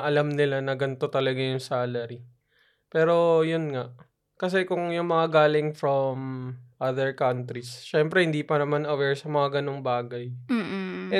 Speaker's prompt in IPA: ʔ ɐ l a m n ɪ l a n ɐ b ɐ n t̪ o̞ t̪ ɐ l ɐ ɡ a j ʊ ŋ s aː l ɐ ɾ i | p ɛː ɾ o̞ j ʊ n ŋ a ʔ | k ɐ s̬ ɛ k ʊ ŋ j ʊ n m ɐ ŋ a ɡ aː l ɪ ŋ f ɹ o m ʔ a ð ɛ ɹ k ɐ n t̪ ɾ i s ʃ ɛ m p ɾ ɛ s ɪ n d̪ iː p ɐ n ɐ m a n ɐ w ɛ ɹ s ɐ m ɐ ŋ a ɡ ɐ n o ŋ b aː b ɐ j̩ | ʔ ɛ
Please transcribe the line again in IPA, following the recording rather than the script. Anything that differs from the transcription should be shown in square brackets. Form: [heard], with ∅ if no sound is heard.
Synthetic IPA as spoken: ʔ ɐ l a m n ɪ l a n ɐ [ɡ] ɐ n t̪ o̞ t̪ ɐ l ɐ ɡ a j ʊ ŋ s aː l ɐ ɾ i | p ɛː ɾ o̞ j ʊ n ŋ a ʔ | k ɐ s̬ ɛ k ʊ ŋ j ʊ [ŋ] m ɐ ŋ a ɡ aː l ɪ ŋ f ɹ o m ʔ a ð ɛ ɹ k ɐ n t̪ ɾ i s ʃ ɛ m p ɾ ɛ [h] ɪ n d̪ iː p ɐ n ɐ m a n ɐ w ɛ ɹ s ɐ m ɐ ŋ a ɡ ɐ n o ŋ b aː [ɡ] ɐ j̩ | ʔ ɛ